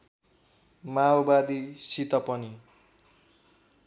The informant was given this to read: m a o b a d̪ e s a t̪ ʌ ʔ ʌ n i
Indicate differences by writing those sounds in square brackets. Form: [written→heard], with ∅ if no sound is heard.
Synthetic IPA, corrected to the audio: m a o b a d̪ [e→i] s [a→i] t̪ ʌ [ʔ→p] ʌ n i